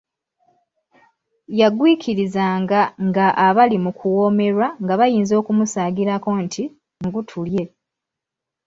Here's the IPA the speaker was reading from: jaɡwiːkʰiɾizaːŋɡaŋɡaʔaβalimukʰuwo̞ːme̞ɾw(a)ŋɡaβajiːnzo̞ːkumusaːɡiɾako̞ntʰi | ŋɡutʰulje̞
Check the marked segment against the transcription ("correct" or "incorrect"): correct